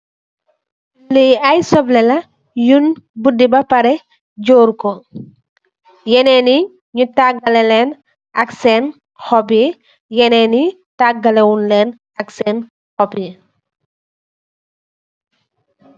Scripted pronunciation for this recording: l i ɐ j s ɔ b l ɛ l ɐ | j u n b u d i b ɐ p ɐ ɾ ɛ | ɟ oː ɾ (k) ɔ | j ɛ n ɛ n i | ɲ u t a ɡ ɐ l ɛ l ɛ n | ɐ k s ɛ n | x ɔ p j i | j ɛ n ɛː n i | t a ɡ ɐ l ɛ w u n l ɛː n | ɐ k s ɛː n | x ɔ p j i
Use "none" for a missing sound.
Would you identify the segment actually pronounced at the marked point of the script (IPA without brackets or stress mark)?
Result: k